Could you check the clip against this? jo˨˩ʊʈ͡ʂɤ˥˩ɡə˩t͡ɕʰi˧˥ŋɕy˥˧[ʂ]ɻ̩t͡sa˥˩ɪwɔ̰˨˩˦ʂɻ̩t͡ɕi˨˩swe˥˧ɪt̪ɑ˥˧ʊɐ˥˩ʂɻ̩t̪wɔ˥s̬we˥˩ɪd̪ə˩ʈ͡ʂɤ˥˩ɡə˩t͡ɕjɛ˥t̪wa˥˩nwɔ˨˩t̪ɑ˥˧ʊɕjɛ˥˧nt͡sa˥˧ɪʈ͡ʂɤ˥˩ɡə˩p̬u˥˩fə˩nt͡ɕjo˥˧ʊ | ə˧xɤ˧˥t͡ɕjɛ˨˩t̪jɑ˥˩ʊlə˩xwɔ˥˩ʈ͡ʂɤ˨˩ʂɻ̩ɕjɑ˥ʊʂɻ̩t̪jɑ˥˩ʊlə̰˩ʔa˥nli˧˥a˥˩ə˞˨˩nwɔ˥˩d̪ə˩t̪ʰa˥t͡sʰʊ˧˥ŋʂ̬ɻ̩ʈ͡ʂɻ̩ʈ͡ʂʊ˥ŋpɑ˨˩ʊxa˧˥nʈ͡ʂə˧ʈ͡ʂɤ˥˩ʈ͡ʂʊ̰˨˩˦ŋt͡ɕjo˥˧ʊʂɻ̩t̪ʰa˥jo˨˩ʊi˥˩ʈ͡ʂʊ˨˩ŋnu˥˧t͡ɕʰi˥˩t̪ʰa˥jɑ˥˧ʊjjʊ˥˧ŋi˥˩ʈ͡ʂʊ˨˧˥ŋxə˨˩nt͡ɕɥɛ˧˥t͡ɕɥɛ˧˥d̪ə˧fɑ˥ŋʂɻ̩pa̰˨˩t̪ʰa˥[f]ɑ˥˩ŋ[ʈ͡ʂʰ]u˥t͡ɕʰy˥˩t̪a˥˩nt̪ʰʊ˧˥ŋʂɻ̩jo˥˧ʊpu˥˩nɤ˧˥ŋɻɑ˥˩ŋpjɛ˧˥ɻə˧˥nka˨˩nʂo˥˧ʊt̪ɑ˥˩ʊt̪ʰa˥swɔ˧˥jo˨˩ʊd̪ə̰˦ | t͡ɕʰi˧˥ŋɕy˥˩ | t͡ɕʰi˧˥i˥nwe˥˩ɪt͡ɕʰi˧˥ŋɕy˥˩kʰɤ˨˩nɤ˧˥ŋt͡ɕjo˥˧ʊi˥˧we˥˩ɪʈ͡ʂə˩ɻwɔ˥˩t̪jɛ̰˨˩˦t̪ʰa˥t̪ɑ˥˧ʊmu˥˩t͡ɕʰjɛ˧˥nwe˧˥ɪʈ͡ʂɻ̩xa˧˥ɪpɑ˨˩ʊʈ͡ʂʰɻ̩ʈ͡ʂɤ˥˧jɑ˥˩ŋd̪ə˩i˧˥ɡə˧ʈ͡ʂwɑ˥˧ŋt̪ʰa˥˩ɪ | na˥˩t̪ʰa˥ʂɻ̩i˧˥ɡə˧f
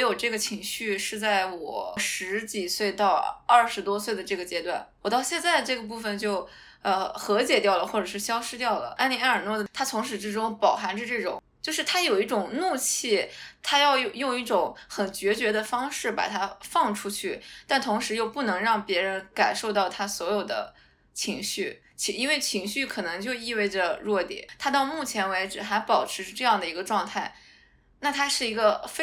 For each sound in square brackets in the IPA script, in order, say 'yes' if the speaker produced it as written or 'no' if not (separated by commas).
yes, yes, yes